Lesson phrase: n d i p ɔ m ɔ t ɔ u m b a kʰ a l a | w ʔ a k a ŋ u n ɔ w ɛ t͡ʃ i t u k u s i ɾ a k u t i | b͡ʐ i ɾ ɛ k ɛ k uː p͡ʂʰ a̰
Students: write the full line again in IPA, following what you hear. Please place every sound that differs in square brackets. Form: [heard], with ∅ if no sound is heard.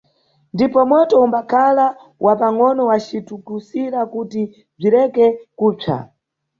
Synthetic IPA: n d i p ɔ m ɔ t ɔ u m b a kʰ a l a | w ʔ a [p] a ŋ [ɔ] n ɔ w [a] t͡ʃ i t u k u s i ɾ a k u t i | b͡ʐ i ɾ ɛ k ɛ k uː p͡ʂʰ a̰

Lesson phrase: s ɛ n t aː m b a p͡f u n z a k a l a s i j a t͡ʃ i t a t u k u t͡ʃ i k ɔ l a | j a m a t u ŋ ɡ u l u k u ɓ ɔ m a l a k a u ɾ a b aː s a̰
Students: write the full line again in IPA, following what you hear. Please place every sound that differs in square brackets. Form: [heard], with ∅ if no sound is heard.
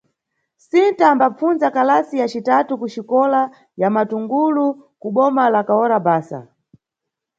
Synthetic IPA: s [i] n t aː m b a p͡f u n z a k a l a s i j a t͡ʃ i t a t u k u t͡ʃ i k ɔ l a | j a m a t u ŋ ɡ u l u k u ɓ ɔ m a l a k a [ɔ] ɾ a b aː s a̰

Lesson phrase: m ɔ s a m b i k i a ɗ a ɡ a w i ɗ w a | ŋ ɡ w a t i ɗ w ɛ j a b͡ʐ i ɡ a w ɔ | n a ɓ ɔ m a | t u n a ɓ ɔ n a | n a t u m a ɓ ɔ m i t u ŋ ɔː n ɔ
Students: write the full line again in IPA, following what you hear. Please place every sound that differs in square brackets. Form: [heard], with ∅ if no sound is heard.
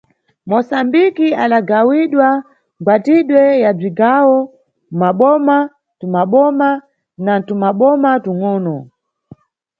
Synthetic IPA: m ɔ s a m b i k i a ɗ a ɡ a w i ɗ w a | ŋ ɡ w a t i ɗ w ɛ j a b͡ʐ i ɡ a w ɔ | [m] a ɓ ɔ m a | t u [m] a ɓ ɔ [m] a | n a t u m a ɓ ɔ m [a] t u ŋ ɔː n ɔ

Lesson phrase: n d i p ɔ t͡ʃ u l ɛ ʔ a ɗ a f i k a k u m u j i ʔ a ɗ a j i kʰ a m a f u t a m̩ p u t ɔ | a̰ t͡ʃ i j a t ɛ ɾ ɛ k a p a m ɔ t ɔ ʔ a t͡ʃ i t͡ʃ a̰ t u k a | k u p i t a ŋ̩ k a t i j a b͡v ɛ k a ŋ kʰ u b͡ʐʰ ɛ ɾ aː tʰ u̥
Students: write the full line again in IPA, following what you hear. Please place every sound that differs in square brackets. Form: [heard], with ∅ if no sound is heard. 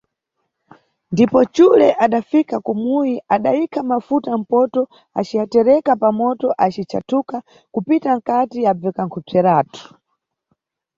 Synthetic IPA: n d i p ɔ t͡ʃ u l ɛ ʔ a ɗ a f i k a k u m u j i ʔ a ɗ a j i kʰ a m a f u t a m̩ p [ɔ] t ɔ | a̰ t͡ʃ i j a t ɛ ɾ ɛ k a p a m ɔ t ɔ ʔ a t͡ʃ i t͡ʃ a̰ t u k a | k u p i t a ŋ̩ k a t i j a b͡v ɛ k a ŋ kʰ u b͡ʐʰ ɛ ɾ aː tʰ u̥

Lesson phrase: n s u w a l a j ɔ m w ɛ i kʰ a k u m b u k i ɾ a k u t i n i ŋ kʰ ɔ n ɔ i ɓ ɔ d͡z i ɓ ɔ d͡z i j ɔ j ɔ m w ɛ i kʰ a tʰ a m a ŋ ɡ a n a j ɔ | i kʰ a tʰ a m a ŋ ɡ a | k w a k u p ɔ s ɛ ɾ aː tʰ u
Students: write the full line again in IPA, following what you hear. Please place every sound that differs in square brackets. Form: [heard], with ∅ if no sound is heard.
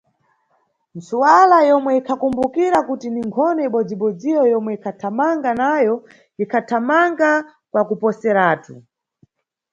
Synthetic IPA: n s u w a l a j ɔ m w ɛ i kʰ a k u m b u k i ɾ a k u t i n i ŋ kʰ ɔ n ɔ i ɓ ɔ d͡z i ɓ ɔ d͡z i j ɔ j ɔ m w ɛ i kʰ a tʰ a m a ŋ ɡ a n a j ɔ | i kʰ a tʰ a m a ŋ ɡ a | k w a k u p ɔ s ɛ ɾ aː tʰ u

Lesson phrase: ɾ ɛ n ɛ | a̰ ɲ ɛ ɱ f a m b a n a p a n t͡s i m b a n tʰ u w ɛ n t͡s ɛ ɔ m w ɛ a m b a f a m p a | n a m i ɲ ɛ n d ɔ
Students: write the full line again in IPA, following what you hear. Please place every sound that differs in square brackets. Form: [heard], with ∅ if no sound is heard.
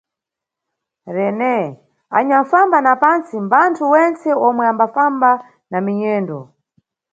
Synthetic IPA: ɾ ɛ n ɛ | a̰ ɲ [a] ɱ f a m b a n a p a n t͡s i m b a n tʰ u w ɛ n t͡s ɛ ɔ m w ɛ a m b a f a m [b] a | n a m i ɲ [ɛː] n d ɔ

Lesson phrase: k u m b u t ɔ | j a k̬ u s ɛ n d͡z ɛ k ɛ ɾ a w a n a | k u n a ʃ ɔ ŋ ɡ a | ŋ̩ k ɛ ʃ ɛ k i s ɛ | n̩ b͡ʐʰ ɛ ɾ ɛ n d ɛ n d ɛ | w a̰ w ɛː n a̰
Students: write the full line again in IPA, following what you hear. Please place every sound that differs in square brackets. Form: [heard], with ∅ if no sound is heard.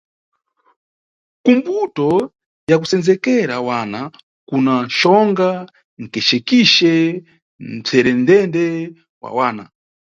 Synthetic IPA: k u m b u t ɔ | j a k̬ u s ɛ n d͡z ɛ k ɛ ɾ a w a n a | k u n a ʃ ɔ ŋ ɡ a | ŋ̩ k ɛ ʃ ɛ k i [ʃ] ɛ | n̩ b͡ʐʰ ɛ ɾ ɛ n d ɛ n d ɛ | w a̰ w [aː] n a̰

